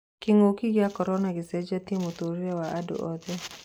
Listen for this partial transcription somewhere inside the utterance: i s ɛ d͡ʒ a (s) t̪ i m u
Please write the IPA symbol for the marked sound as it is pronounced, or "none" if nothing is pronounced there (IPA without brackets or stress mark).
none